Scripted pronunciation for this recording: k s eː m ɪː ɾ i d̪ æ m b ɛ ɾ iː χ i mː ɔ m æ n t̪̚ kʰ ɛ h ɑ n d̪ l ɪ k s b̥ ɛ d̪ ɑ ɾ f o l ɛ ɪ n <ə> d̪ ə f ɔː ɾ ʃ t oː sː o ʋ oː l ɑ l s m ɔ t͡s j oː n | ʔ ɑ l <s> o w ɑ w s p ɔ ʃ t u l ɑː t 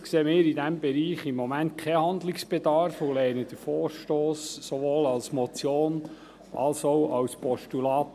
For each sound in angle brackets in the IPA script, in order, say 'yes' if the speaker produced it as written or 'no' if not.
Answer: yes, yes

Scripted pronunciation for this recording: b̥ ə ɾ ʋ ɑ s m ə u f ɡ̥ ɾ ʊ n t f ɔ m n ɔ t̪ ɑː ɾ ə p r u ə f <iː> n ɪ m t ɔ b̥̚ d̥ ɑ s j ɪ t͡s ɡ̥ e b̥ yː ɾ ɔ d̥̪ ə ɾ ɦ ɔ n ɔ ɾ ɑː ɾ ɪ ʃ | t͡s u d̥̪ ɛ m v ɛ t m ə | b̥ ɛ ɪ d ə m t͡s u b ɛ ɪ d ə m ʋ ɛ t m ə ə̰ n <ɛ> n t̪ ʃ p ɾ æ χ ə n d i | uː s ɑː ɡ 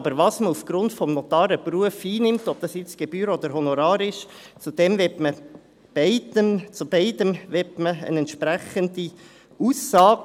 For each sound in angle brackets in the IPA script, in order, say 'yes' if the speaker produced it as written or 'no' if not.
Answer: yes, yes

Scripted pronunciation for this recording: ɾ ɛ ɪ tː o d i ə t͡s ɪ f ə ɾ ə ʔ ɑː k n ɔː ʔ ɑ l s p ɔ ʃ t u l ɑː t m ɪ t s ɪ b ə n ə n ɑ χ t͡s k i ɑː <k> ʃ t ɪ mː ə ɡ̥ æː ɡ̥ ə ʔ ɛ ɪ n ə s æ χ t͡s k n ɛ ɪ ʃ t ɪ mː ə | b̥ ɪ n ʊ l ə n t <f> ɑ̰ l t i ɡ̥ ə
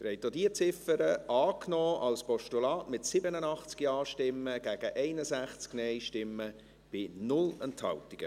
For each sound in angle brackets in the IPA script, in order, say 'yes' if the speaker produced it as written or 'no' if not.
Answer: no, no

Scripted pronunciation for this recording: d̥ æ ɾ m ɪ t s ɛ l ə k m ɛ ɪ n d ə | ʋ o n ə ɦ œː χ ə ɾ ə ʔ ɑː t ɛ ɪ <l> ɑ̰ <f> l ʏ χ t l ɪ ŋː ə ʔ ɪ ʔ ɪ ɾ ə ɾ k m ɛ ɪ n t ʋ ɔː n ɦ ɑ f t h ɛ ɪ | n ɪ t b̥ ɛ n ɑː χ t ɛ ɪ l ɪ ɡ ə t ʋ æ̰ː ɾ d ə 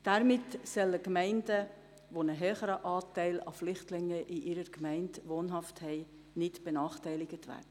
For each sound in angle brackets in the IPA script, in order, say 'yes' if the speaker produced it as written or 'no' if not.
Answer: yes, yes

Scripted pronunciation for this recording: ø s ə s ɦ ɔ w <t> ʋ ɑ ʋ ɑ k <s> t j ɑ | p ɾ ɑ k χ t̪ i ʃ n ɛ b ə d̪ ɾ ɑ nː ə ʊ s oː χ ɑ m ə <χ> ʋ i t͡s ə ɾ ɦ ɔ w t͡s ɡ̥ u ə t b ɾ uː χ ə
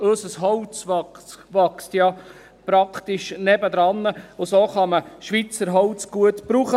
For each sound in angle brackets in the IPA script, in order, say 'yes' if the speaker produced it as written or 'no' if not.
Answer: no, yes, no

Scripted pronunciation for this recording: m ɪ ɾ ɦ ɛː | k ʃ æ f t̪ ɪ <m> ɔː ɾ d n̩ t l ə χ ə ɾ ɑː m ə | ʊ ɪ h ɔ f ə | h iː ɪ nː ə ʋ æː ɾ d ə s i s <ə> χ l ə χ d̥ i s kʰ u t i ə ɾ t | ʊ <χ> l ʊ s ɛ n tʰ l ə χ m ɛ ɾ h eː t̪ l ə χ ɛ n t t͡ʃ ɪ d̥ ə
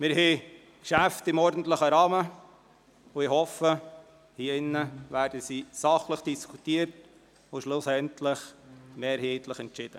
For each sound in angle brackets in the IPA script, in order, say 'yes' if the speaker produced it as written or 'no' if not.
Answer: yes, no, no

